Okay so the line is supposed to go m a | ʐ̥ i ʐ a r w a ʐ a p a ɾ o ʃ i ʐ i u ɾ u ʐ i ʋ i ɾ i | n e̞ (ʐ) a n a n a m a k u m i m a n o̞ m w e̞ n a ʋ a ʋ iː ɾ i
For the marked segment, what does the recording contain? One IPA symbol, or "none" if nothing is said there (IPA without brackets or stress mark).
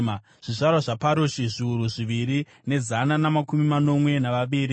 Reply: z